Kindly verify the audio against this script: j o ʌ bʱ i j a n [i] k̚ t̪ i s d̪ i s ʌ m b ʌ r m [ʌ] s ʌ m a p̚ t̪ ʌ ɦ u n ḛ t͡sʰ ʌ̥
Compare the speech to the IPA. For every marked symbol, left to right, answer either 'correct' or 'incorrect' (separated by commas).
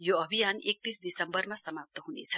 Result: incorrect, incorrect